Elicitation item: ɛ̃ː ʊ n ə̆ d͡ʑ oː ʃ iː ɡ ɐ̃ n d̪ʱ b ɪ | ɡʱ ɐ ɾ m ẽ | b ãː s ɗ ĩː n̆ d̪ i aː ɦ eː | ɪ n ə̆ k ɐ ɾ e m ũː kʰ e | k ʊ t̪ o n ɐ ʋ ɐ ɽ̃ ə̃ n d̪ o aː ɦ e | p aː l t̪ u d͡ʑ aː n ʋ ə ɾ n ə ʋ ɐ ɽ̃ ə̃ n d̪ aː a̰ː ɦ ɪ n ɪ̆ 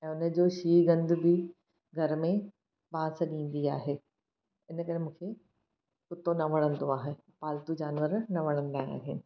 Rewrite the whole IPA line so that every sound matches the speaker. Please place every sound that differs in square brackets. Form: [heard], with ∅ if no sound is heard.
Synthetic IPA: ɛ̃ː ʊ n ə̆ d͡ʑ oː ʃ iː ɡ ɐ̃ n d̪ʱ b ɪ | ɡʱ ɐ ɾ m ẽ | b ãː s ɗ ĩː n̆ d̪ i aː ɦ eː | ɪ n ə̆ k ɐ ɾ e m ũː kʰ e | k ʊ t̪ o n ɐ ʋ ɐ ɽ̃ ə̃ n d̪ o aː ɦ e | p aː l t̪ u d͡ʑ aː n ʋ ə ɾ n [ɐ] ʋ ɐ ɽ̃ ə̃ n d̪ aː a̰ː ɦ ɪ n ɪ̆